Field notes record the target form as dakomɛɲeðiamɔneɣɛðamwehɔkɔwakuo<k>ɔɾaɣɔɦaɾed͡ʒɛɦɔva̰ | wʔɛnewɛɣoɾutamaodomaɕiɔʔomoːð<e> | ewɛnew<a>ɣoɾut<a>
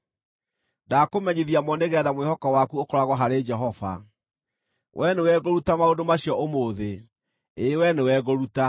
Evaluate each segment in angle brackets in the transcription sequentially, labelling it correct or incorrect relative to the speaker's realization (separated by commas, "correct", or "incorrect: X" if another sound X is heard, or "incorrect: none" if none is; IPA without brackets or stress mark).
correct, correct, incorrect: ɛ, correct